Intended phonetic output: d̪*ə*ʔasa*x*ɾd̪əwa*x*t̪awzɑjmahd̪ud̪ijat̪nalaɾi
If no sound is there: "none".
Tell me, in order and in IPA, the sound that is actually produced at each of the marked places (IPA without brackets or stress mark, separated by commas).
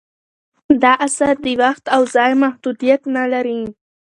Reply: ɑ, none, x